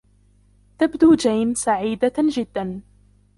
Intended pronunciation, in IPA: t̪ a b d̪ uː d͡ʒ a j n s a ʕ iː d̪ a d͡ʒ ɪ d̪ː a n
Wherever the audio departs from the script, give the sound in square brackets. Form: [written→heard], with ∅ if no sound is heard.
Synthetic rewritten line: t̪ a b d̪ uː d͡ʒ a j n s a ʕ iː d̪ a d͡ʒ ɪ d̪ː a n